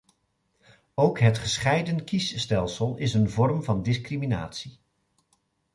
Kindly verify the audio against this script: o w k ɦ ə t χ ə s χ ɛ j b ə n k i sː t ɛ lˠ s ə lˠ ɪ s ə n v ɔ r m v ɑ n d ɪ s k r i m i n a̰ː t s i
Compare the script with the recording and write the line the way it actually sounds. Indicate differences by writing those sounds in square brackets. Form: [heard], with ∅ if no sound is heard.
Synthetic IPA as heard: o w k ɦ ə t χ ə s χ ɛ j [d] ə n k i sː t ɛ lˠ s ə lˠ ɪ s ə n v ɔ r m v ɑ n d ɪ s k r i m i n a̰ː t s i

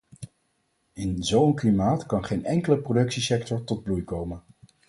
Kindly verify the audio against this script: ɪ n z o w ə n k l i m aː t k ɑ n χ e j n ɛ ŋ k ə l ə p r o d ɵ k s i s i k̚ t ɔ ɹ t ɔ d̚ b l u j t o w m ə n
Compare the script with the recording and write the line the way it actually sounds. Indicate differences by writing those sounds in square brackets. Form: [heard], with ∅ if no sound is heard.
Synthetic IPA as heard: ɪ n z o w ə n k l i m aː t k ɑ n χ e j n ɛ ŋ k ə l ə p r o d ɵ k s i s [ɛ] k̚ t ɔ ɹ t ɔ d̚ b l u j [k] o w m ə n

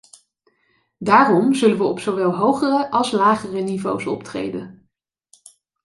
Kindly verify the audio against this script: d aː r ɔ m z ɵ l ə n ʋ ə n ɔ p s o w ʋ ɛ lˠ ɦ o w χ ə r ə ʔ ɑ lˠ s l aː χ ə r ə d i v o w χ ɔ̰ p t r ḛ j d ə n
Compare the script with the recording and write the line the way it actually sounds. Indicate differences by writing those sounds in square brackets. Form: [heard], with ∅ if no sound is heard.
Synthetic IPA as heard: d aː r ɔ m z ɵ l ə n ʋ ə [∅] ɔ p s o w ʋ ɛ lˠ ɦ o w χ ə r ə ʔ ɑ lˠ s l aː χ ə r ə [n] i v o w [s] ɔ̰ p t r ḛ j d ə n

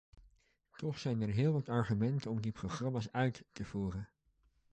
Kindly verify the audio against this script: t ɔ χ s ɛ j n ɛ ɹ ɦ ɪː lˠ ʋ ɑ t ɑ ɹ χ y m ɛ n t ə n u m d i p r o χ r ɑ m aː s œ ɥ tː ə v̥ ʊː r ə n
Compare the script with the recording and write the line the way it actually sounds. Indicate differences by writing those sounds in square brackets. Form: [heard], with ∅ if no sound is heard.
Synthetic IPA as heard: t ɔ χ s ɛ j n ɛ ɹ ɦ ɪː lˠ ʋ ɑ t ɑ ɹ χ y m ɛ n t ə n [ɔ] m d i p r o χ r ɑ m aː s œ ɥ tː ə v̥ [uː] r ə n

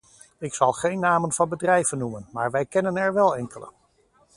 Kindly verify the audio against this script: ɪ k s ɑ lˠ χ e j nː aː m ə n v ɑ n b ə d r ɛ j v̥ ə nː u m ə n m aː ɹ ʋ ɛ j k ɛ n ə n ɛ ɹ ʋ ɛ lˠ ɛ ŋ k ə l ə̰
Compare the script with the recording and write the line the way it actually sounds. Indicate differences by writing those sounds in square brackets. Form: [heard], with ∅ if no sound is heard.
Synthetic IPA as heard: ɪ k s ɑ lˠ χ e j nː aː m ə n v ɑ n b ə d r ɛ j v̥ ə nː u m ə n m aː ɹ ʋ ɛ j k ɛ n ə n ɛ ɹ ʋ ɛ lˠ ɛ ŋ k ə l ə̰

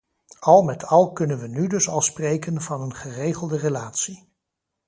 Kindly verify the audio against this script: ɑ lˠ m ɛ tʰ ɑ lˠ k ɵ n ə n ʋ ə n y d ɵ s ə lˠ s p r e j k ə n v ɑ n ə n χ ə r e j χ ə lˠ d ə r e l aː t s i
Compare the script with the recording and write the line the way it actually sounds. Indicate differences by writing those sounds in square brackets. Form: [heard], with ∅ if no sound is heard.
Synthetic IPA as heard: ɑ lˠ m ɛ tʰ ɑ lˠ k ɵ n ə n ʋ ə n y d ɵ s [ɑ] lˠ s p r e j k ə n v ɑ n ə n χ ə r e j χ ə lˠ d ə r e l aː t s i

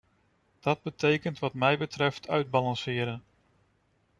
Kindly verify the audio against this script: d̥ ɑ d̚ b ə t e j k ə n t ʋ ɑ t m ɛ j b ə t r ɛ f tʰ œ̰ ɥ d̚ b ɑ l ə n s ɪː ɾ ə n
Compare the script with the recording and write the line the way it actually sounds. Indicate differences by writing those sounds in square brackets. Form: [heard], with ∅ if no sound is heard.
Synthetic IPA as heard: d̥ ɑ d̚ b ə t e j k ə n t ʋ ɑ t m ɛ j b ə t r ɛ f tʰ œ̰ ɥ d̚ b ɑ l [ɑ] n s ɪː ɾ ə n

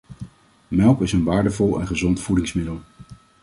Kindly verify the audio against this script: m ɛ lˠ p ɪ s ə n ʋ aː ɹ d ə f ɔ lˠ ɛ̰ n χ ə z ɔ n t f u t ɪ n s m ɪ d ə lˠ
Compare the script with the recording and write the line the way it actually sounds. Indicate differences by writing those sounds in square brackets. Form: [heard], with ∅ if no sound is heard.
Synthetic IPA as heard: m ɛ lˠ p ɪ s ə n ʋ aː ɹ d ə [v] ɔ lˠ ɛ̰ n χ ə z ɔ n t f u [d] ɪ [ŋ] s m ɪ d ə lˠ

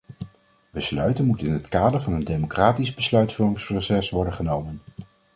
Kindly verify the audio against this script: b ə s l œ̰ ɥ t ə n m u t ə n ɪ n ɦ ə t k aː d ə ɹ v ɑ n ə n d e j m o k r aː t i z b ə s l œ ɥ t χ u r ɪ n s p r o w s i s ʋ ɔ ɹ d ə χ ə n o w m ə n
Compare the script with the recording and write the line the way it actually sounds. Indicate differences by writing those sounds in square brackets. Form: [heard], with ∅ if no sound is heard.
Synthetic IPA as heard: b ə s l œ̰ ɥ t ə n m u t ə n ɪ n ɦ ə t k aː d ə ɹ v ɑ n ə n d e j m o k r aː t i z b ə s l œ ɥ t [f] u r ɪ [ŋ] s p r o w s [ɛ] s ʋ ɔ ɹ d ə χ ə n o w m ə n

